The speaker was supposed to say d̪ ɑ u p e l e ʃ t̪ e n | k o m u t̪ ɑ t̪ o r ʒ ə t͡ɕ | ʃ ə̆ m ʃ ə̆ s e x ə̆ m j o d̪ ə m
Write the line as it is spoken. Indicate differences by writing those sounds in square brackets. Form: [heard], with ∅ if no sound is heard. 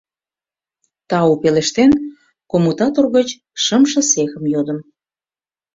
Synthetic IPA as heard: [t̪] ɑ u p e l e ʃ t̪ e n | k o m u t̪ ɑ t̪ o r [ɣ] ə t͡ɕ | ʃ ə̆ m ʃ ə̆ s e x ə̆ m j o d̪ ə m